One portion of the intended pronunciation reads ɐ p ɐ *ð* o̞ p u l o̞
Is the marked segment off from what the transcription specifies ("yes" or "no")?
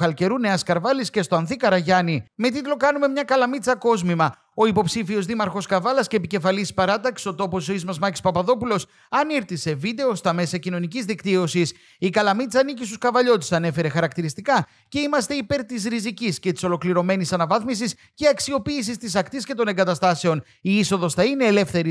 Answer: no